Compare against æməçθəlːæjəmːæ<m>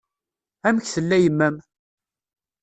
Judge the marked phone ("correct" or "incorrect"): correct